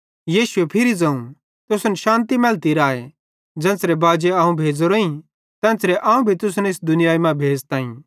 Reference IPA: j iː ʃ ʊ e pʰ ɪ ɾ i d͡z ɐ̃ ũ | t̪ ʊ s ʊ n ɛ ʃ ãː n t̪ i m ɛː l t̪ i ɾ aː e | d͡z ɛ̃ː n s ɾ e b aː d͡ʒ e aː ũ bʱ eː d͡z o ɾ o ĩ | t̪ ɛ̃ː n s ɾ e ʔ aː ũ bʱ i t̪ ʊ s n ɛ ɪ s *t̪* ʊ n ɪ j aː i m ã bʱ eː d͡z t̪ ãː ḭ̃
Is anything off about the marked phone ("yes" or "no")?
yes